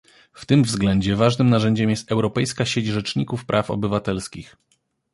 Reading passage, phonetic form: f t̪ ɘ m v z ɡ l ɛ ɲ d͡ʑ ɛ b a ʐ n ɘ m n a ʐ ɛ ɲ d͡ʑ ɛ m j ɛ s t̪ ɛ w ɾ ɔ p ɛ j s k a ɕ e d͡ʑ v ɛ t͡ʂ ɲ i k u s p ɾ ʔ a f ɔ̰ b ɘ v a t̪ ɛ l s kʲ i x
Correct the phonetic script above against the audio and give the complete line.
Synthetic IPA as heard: f t̪ ɘ m v z ɡ l ɛ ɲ d͡ʑ ɛ v a ʐ n ɘ m n a ʐ ɛ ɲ d͡ʑ ɛ m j ɛ s t̪ ɛ w ɾ ɔ p ɛ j s k a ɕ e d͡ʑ ʐ ɛ t͡ʂ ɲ i k u f p ɾ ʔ a f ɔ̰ b ɘ v a t̪ ɛ l s kʲ i x